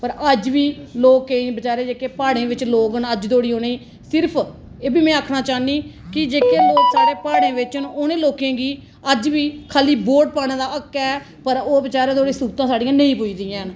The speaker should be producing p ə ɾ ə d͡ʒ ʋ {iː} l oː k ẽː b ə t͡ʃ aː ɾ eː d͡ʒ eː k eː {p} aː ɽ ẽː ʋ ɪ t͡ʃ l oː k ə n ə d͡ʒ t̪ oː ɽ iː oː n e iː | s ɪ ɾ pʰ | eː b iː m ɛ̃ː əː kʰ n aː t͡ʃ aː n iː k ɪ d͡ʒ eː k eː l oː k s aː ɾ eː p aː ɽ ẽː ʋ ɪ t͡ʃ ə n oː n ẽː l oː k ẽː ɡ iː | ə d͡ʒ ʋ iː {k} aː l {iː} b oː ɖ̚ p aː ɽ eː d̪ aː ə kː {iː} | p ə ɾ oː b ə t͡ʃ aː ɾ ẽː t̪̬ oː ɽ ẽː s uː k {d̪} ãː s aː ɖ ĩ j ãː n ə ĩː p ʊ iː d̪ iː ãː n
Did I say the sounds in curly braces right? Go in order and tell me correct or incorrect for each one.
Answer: correct, correct, incorrect: kʰ, correct, incorrect: ɛː, incorrect: t̪

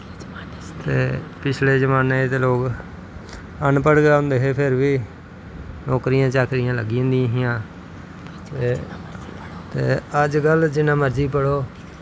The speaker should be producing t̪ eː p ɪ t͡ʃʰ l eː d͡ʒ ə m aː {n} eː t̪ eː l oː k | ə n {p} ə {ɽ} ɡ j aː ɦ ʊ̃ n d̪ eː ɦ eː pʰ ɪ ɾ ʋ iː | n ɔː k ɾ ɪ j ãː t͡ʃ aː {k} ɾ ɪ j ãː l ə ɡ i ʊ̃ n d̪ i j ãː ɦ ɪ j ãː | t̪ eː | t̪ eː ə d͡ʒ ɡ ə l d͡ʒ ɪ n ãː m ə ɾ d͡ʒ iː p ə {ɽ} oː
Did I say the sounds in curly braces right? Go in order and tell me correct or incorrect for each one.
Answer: correct, correct, correct, correct, correct

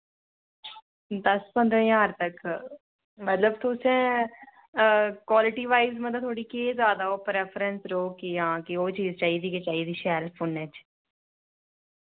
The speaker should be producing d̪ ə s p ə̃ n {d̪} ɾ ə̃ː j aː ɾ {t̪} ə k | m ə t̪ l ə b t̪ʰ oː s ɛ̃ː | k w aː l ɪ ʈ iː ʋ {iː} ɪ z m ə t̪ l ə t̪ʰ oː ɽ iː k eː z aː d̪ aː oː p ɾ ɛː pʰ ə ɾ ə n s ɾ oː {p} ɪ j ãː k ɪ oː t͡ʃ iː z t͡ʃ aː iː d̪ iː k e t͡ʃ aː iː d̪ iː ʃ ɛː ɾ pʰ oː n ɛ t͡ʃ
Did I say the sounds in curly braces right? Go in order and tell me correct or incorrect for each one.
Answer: correct, correct, incorrect: aː, incorrect: k

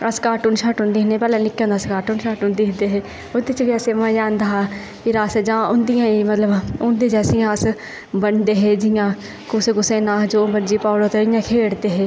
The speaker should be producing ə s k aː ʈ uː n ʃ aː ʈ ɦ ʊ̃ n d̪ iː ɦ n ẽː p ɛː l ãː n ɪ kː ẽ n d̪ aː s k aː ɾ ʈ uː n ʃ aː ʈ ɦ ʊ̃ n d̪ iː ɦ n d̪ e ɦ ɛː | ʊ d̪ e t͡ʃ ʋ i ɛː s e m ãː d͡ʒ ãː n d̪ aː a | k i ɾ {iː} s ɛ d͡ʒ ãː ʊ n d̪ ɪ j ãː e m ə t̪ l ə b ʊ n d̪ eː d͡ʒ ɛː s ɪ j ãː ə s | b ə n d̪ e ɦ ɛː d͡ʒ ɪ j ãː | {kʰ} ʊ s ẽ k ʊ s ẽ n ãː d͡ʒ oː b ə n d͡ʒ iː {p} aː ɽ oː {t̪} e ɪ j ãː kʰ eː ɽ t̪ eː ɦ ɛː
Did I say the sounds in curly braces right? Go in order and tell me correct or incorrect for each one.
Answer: incorrect: aː, incorrect: k, correct, correct

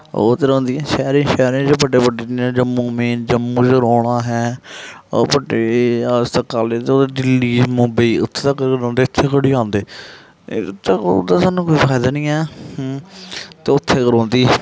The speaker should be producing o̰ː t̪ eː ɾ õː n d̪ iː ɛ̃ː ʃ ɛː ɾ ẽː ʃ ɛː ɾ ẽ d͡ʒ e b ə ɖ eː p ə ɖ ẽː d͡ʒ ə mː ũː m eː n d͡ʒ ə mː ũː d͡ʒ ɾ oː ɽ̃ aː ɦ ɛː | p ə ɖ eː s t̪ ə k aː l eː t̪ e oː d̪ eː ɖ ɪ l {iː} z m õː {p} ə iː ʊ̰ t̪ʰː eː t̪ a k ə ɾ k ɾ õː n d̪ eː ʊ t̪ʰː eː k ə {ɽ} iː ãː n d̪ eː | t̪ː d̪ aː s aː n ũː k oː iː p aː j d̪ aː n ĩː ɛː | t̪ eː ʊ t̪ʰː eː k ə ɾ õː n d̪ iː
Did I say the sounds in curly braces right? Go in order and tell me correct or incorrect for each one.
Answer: correct, incorrect: b, correct

